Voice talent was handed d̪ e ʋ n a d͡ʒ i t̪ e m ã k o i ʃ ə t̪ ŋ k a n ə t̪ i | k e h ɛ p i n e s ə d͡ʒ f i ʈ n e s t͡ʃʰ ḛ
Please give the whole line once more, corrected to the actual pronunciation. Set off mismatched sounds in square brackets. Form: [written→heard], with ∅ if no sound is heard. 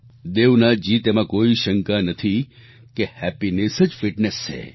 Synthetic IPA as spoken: d̪ e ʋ n a d͡ʒ i t̪ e m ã k o i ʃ ə [t̪→∅] ŋ k a n ə [t̪→t̪ʰ] i | k e h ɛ p i n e s ə d͡ʒ f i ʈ n e s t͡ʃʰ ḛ